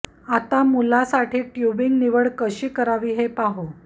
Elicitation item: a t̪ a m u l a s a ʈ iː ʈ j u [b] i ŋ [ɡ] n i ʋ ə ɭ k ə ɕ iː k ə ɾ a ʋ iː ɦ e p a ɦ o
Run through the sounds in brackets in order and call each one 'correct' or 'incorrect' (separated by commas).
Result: correct, correct